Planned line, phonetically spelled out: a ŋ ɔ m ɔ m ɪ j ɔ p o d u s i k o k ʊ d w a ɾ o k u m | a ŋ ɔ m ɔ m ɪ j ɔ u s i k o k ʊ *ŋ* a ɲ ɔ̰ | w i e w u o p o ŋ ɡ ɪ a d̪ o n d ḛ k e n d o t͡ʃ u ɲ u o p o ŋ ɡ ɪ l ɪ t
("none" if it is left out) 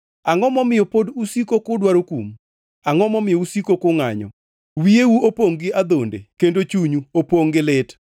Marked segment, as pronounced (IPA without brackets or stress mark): ŋ